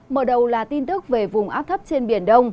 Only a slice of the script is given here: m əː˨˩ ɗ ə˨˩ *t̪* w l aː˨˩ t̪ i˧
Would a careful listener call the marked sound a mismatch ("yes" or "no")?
yes